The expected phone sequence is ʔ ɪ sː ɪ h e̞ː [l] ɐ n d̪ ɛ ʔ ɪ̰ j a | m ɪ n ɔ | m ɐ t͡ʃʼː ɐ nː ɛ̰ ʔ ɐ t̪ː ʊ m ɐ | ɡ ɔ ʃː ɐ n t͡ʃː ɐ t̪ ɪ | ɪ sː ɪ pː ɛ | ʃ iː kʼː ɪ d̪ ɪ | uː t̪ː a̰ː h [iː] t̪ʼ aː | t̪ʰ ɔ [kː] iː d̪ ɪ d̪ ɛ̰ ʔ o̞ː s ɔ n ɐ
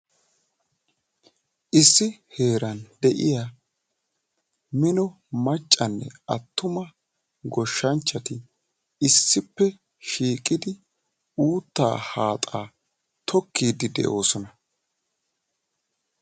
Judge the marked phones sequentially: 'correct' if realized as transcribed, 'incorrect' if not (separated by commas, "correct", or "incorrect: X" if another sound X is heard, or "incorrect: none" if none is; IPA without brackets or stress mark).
incorrect: ɾ, incorrect: aː, correct